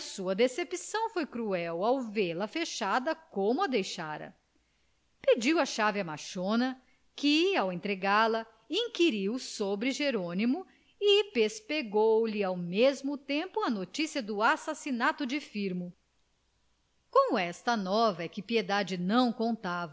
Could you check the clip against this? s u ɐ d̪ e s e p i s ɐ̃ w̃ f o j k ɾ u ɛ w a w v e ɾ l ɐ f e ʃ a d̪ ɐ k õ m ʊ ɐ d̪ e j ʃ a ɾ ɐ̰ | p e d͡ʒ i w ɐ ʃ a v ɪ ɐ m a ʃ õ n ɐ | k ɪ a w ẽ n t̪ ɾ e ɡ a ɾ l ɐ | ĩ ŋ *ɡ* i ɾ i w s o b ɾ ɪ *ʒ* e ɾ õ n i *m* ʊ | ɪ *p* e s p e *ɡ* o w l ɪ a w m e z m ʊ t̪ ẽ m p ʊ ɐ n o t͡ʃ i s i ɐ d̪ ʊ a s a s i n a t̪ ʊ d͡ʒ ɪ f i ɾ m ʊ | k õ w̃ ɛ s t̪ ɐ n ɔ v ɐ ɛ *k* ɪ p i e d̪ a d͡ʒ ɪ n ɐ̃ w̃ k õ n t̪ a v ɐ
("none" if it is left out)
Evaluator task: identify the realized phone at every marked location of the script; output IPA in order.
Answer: k, ʒ, m, p, ɡ, k

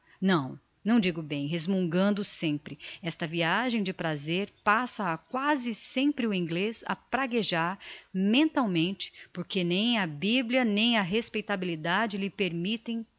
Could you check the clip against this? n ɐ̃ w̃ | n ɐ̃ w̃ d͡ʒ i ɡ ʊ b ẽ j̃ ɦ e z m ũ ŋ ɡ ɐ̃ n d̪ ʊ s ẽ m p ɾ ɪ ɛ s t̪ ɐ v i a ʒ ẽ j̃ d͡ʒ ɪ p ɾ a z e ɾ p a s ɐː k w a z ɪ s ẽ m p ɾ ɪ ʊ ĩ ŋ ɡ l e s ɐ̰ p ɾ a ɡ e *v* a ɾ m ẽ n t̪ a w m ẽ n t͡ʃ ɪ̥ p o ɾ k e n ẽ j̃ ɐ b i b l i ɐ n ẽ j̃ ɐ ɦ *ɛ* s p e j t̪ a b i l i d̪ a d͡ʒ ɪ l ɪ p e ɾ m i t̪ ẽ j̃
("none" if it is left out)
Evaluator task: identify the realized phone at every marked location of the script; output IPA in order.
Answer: ʒ, e

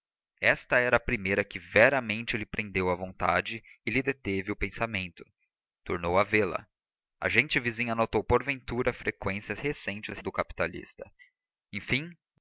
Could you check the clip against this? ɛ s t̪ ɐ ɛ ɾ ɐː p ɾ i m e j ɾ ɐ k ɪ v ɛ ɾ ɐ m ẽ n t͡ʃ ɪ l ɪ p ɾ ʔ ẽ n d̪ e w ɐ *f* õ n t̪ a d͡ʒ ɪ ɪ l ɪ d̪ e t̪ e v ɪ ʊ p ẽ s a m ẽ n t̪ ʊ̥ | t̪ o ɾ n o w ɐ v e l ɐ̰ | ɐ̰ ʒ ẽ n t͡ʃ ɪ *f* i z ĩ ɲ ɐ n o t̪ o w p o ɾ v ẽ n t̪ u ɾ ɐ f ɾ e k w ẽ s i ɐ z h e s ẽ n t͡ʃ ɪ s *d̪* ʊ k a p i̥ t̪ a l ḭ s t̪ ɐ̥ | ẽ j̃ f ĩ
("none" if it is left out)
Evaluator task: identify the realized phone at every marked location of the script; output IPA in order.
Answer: v, v, d̪

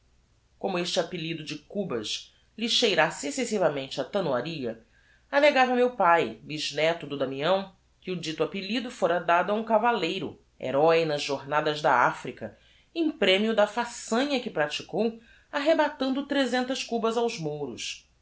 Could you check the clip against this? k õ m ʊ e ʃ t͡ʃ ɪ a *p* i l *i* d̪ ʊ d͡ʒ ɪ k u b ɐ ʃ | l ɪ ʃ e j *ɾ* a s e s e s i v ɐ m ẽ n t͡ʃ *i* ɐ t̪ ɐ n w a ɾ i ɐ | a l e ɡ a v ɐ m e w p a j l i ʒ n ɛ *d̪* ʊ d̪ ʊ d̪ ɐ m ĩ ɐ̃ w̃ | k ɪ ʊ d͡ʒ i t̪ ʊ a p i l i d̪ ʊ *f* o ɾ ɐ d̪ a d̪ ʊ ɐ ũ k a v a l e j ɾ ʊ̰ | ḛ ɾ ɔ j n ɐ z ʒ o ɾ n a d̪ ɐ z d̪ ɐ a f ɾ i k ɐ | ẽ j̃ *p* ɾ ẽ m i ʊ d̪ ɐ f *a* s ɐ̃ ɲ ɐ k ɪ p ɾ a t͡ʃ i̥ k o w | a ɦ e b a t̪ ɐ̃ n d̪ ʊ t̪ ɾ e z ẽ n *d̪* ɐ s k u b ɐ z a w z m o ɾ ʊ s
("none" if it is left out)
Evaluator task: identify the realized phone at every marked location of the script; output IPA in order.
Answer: p, i, ɾ, ɪ, t̪, f, p, a, t̪

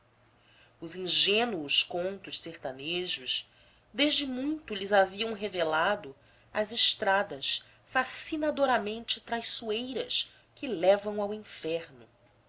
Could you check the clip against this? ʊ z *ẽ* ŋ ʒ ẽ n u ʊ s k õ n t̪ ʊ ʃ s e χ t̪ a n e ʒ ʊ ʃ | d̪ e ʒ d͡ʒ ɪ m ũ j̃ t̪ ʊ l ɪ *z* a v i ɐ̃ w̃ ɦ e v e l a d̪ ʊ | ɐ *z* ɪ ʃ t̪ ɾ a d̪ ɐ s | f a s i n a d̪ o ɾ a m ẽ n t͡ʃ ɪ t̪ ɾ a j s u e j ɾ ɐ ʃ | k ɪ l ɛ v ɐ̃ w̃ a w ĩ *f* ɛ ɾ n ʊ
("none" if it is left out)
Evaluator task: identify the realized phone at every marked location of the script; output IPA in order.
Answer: ĩ, z, z, f

